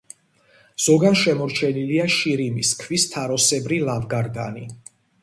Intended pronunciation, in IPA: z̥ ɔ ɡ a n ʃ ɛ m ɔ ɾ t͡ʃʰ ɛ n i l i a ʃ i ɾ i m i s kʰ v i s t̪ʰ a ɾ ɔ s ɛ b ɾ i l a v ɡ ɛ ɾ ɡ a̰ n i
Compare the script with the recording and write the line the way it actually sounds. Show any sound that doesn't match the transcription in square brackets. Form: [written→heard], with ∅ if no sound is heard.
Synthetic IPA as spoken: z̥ ɔ ɡ a n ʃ ɛ m ɔ ɾ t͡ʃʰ ɛ n i l i a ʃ i ɾ i m i s kʰ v i s t̪ʰ a ɾ ɔ s ɛ b ɾ i l a v ɡ [ɛ→a] ɾ ɡ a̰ n i